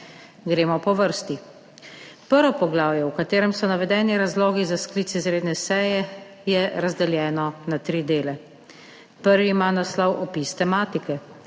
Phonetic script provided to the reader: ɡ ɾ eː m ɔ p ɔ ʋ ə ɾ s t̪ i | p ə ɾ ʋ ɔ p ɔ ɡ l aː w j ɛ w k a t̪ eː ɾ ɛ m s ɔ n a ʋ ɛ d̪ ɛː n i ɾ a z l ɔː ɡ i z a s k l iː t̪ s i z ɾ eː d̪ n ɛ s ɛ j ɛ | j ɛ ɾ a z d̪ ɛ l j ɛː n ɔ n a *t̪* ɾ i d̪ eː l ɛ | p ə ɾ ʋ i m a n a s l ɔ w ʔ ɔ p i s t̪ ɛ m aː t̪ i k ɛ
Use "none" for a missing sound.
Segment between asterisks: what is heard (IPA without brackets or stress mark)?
t̪